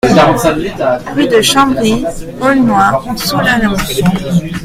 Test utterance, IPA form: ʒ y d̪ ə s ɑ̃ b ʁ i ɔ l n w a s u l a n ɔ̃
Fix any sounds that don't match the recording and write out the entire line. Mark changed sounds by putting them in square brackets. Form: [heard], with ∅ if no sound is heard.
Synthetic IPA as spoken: [ʁ] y d̪ ə [ʃ] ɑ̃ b ʁ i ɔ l n w a s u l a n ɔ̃

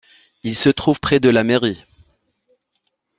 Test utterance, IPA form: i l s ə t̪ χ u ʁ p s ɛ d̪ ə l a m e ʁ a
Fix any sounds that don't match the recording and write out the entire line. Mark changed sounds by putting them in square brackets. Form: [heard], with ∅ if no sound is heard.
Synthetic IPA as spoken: i l s ə t̪ χ u [v] p [χ] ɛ d̪ ə l a m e ʁ [i]

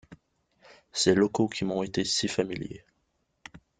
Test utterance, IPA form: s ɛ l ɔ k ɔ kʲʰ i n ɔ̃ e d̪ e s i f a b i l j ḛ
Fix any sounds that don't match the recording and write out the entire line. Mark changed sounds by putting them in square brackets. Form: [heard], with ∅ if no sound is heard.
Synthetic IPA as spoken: s ɛ l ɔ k [o] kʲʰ i [m] ɔ̃ e [t̪] e s i f a [m] i l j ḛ

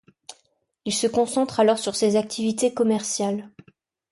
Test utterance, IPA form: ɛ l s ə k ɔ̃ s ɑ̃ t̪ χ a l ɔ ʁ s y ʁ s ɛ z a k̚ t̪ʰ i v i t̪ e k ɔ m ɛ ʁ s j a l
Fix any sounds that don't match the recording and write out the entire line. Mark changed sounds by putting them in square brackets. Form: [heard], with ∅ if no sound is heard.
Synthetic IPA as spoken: [i] l s ə k ɔ̃ s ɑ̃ t̪ χ a l ɔ ʁ s y ʁ s [e] z a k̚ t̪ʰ i v i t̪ e k ɔ m ɛ ʁ s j a l

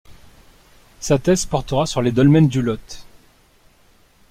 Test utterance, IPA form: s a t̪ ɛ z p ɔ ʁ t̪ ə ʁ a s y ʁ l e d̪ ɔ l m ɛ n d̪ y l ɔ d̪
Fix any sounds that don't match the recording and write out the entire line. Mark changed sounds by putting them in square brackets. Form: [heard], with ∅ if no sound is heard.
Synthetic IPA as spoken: s a t̪ ɛ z p ɔ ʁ t̪ ə ʁ a s y ʁ l e d̪ ɔ l m ɛ n d̪ y l ɔ [t̪]

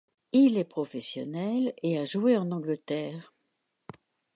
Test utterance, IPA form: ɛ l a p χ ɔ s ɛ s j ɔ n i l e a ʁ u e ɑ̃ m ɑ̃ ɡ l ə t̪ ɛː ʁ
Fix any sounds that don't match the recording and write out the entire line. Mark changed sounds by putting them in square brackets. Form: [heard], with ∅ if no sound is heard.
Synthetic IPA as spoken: [i] l [ɛ] p χ ɔ [f] ɛ s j ɔ n [ɛ] l e a [ʒ] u e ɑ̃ [n] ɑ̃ ɡ l ə t̪ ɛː ʁ

